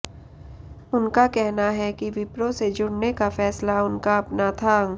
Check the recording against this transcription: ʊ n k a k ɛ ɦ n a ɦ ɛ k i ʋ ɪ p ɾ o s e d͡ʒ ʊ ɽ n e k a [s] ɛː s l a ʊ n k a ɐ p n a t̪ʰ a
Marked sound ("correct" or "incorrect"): incorrect